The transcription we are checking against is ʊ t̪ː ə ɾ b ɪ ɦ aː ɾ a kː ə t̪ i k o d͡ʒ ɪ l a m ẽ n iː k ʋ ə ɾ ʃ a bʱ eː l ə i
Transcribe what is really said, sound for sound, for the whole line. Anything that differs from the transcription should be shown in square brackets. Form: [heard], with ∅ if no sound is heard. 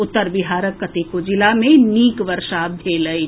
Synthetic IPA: ʊ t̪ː ə ɾ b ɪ ɦ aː ɾ [ə] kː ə t̪ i k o d͡ʒ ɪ l a m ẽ n iː k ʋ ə ɾ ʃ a bʱ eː l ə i